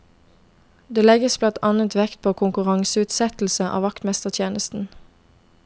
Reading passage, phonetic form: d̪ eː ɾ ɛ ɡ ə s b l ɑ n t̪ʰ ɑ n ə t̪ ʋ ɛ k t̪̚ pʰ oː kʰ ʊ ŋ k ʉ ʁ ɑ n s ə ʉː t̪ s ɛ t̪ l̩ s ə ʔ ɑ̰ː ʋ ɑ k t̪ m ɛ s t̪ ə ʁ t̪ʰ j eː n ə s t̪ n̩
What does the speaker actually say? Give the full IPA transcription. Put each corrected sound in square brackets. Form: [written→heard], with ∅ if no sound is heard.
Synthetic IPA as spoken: d̪ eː [ɾ→l] ɛ ɡ ə s b l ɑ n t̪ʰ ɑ n ə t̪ ʋ ɛ k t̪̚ pʰ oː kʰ ʊ ŋ k ʉ ʁ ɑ [n→ŋ] s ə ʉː t̪ s ɛ t̪ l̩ s ə ʔ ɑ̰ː ʋ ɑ k t̪ m ɛ s t̪ ə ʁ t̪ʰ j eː n ə s t̪ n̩